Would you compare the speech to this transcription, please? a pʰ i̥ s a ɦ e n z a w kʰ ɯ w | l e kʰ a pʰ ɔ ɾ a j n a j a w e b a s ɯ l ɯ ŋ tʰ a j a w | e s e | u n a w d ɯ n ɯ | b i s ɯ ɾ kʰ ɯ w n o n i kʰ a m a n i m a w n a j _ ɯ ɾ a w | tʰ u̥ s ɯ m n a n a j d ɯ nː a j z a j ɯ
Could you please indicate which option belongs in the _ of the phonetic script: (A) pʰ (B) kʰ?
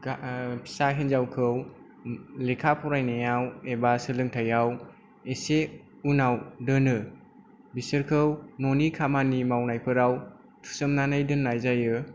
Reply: A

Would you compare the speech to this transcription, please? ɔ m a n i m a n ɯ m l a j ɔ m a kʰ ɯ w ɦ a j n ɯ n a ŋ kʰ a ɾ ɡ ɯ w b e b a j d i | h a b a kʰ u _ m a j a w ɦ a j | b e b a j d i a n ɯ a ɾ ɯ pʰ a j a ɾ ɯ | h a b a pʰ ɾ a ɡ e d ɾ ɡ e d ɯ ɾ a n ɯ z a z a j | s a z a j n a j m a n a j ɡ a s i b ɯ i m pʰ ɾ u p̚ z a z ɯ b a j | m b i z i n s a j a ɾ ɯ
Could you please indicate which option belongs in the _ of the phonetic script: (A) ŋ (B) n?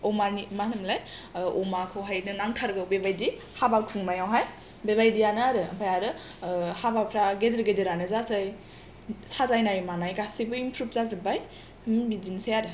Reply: A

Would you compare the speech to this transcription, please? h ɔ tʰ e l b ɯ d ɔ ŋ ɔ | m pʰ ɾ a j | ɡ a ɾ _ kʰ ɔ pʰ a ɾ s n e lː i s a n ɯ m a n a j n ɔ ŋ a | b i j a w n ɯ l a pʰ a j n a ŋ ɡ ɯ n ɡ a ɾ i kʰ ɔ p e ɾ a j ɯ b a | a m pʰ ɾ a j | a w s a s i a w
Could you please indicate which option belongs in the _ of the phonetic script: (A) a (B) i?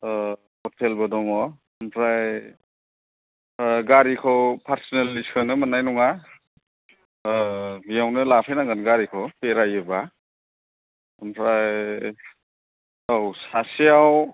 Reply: B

